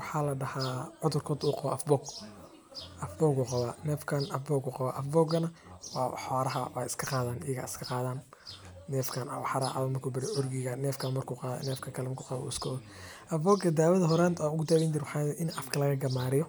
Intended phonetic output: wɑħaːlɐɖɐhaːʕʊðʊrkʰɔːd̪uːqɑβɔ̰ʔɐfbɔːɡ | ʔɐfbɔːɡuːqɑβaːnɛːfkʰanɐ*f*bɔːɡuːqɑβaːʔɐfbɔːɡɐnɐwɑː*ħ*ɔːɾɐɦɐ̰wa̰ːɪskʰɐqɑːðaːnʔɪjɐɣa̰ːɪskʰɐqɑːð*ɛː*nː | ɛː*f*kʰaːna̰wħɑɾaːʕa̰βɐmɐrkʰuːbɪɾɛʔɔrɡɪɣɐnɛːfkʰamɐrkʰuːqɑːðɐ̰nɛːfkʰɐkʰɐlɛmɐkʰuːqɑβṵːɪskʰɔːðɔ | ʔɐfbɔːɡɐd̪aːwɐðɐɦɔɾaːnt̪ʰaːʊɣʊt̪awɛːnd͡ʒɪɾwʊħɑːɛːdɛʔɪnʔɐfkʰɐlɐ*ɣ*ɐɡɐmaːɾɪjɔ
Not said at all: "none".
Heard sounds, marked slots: f, ħ, aː, f, ɣ

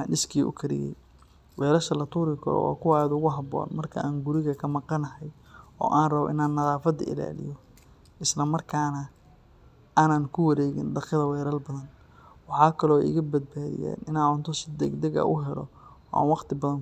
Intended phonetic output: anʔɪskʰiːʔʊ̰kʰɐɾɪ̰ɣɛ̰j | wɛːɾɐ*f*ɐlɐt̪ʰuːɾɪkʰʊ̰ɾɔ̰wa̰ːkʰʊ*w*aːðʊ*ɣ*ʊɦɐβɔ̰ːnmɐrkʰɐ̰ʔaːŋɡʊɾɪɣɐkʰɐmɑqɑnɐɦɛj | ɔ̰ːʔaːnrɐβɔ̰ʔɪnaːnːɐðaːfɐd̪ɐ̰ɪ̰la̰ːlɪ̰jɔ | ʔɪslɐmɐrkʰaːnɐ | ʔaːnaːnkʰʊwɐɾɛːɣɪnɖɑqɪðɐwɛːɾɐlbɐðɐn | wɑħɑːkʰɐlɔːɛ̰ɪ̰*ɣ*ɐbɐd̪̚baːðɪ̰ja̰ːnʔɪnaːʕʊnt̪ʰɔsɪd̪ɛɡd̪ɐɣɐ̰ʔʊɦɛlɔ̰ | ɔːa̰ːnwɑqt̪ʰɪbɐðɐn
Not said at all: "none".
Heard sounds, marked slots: ʃ, w, ɣ, ɣ

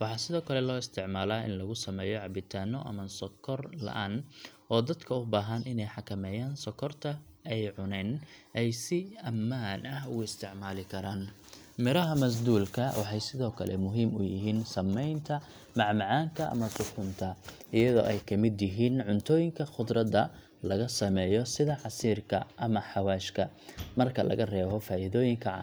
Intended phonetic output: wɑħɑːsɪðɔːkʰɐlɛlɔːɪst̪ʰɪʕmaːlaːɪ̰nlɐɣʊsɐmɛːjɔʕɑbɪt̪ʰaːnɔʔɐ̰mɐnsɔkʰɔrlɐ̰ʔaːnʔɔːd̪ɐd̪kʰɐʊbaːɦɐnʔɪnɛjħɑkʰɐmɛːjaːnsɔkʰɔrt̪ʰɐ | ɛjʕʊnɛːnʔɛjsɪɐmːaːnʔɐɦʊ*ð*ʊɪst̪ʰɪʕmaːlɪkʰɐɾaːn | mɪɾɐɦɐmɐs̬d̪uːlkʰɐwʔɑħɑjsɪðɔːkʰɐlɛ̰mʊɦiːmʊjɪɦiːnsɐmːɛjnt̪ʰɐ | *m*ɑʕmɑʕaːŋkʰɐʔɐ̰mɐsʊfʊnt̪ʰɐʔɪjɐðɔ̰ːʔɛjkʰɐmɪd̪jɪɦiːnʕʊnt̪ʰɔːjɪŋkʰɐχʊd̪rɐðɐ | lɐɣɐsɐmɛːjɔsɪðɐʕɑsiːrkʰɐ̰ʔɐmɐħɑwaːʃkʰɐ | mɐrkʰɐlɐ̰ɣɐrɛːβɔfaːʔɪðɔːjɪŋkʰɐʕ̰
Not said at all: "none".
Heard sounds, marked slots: ɣ, m

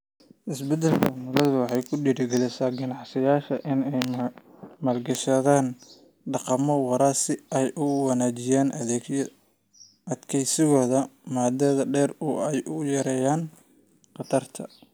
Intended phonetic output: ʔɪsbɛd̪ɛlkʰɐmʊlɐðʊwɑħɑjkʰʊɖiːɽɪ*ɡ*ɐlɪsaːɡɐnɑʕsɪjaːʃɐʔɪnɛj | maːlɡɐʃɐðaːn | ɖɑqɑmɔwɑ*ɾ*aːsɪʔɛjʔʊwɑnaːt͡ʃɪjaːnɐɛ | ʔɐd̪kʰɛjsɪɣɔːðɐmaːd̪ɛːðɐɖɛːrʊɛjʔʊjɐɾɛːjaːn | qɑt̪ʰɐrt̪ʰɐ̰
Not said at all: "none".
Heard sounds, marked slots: ɡ, ɾ

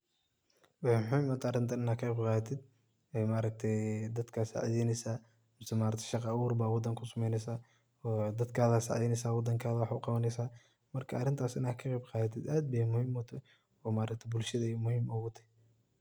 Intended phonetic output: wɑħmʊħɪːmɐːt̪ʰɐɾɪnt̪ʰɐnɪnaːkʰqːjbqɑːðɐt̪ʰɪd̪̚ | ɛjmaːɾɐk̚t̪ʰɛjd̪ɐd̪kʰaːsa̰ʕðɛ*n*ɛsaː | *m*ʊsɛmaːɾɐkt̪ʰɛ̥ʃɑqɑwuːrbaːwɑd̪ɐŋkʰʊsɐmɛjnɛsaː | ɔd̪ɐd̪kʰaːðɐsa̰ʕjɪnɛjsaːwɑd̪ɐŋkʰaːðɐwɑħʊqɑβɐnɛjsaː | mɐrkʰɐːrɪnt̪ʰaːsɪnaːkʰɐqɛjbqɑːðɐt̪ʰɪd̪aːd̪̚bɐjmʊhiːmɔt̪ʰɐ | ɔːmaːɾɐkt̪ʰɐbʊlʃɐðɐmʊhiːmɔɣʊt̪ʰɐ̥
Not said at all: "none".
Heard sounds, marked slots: n, m

